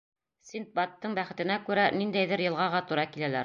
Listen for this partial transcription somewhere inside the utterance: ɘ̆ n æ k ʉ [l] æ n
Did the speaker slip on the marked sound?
yes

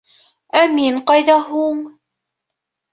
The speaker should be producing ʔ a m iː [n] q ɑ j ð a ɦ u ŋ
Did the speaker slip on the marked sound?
no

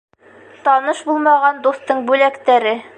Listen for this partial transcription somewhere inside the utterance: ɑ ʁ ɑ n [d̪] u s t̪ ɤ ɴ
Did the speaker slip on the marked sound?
no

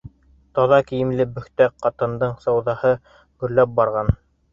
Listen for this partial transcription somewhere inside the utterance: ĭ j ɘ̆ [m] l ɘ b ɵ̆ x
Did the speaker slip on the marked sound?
no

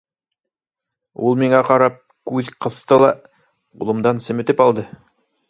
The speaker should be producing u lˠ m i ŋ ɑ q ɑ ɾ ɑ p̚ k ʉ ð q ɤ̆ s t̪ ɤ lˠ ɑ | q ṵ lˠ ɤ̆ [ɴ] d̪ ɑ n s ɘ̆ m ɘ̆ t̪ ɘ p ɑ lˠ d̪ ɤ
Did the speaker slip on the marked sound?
yes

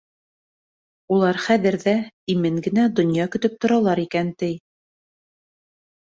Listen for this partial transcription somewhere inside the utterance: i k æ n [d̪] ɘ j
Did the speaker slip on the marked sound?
yes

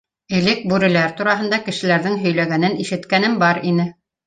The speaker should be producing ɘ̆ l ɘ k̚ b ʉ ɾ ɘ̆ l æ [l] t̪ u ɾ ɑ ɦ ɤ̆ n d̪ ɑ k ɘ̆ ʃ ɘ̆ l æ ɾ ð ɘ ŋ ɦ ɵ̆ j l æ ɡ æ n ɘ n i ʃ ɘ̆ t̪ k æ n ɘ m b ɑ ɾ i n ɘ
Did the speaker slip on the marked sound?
yes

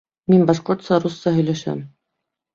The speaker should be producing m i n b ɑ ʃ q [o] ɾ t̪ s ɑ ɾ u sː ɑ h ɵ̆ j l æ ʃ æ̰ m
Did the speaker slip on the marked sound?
no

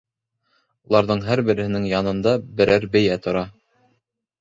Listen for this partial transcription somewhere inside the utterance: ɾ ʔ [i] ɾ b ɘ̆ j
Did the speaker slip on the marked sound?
yes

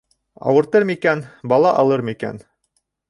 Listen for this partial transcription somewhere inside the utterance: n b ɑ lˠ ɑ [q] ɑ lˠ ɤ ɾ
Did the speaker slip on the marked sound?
yes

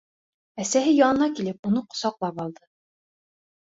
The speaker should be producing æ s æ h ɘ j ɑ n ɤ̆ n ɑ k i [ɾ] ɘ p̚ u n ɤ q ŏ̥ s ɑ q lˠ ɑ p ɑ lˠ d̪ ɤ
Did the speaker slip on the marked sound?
yes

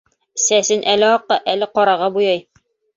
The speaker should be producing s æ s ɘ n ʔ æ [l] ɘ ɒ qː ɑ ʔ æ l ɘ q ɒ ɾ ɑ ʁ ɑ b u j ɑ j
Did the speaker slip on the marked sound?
no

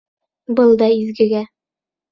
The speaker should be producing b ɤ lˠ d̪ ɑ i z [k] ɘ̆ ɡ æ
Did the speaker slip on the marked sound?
yes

